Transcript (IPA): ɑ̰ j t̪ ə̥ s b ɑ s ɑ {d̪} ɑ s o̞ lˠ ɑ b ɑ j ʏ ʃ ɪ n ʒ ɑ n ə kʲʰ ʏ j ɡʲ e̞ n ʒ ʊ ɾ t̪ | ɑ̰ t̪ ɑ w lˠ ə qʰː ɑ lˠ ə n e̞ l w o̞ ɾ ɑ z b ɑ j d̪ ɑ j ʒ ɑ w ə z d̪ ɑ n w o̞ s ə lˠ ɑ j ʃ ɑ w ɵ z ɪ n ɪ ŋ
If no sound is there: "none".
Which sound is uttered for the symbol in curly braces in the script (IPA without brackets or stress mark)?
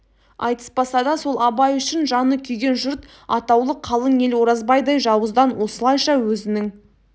d̪